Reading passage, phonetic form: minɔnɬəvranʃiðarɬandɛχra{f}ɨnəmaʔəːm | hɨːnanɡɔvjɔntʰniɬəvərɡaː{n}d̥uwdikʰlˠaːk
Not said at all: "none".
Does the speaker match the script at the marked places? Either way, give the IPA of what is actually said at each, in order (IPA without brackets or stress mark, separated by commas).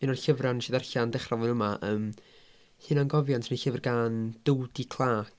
v, n